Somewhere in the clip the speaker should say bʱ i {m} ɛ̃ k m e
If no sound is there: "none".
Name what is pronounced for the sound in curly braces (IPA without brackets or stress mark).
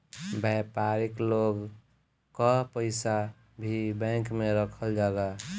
b